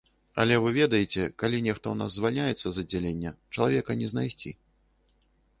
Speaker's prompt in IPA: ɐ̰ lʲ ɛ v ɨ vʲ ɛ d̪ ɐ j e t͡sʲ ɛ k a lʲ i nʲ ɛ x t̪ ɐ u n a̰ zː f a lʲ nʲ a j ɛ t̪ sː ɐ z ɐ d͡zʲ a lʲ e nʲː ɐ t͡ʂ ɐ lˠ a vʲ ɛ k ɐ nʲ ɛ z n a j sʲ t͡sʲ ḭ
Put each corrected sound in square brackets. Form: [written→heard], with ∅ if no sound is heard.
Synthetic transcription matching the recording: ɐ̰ lʲ ɛ v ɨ vʲ ɛ d̪ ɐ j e t͡sʲ ɛ k a lʲ i nʲ ɛ x t̪ ɐ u n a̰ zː [f→v] a lʲ nʲ a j ɛ t̪ sː ɐ z ɐ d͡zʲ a lʲ e nʲː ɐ t͡ʂ ɐ lˠ a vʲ ɛ k ɐ nʲ ɛ z n a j sʲ t͡sʲ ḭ